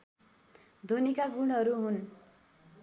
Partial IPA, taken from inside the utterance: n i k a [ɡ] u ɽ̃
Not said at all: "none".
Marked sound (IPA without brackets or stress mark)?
ɡ